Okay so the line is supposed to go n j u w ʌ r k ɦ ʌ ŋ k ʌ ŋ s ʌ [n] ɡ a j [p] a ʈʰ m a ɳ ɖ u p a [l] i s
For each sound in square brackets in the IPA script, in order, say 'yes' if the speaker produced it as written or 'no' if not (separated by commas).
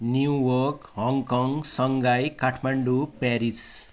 no, no, no